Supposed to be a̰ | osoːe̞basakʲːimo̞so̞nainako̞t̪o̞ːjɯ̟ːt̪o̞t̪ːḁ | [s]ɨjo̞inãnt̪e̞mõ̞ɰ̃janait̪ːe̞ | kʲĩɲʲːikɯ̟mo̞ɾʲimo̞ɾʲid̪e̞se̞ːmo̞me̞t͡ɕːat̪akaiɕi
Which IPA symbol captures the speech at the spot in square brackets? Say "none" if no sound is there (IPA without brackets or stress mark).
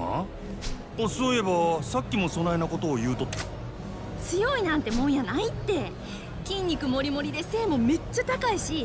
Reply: t͡s